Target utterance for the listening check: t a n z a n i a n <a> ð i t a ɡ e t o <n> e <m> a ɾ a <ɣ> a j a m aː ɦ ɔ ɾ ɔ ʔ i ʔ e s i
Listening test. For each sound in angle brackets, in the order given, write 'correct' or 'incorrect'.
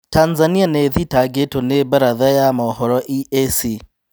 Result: incorrect, correct, incorrect, incorrect

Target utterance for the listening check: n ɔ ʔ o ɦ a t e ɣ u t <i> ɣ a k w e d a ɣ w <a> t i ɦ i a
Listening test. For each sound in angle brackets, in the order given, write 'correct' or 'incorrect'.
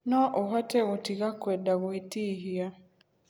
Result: correct, incorrect

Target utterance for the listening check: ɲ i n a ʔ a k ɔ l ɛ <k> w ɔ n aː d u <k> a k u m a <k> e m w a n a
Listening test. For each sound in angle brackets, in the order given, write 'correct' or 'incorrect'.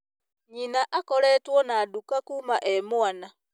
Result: incorrect, correct, incorrect

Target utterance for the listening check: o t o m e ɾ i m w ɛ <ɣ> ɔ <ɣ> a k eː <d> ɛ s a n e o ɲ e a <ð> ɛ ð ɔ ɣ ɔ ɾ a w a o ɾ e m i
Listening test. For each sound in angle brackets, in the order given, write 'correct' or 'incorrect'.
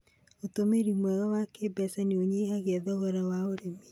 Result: correct, incorrect, incorrect, incorrect

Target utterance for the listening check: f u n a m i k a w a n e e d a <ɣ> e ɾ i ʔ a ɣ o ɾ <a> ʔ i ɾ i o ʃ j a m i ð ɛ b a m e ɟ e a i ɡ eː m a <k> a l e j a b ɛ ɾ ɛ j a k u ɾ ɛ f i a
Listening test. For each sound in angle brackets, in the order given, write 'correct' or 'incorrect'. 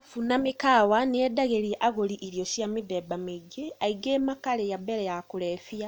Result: correct, incorrect, correct

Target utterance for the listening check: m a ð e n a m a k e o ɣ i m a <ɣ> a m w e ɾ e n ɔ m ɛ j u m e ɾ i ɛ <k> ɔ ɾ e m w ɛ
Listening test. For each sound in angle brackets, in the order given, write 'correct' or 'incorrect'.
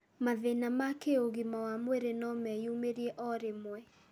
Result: incorrect, incorrect

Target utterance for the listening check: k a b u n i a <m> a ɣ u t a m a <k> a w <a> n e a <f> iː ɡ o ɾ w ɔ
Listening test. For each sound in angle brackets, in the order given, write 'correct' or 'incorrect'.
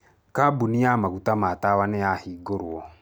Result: correct, incorrect, correct, incorrect

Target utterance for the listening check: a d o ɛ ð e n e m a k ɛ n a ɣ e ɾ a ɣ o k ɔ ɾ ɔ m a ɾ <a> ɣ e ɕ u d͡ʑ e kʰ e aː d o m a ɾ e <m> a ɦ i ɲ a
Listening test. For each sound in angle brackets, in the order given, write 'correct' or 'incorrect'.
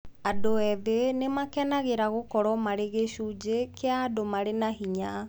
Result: incorrect, incorrect

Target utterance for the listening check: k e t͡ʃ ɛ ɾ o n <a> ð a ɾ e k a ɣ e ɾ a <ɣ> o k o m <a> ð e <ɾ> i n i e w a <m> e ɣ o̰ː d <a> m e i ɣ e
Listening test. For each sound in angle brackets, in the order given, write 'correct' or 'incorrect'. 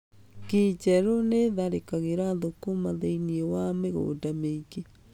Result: incorrect, incorrect, correct, incorrect, correct, correct

